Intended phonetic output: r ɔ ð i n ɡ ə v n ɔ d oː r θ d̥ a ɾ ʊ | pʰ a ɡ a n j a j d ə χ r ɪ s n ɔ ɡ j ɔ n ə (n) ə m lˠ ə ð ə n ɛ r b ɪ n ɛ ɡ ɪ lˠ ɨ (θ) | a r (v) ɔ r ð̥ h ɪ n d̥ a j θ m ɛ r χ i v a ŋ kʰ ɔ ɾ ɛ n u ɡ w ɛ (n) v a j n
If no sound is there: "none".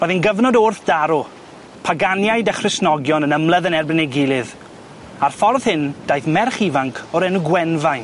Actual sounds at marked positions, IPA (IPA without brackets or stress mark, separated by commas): n, ð, f, n